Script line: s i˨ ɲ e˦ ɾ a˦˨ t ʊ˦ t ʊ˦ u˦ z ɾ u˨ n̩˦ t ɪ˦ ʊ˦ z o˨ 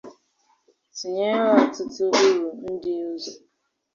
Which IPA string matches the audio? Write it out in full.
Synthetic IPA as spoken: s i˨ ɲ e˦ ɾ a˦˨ t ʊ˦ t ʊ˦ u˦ ɾ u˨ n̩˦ d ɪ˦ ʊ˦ z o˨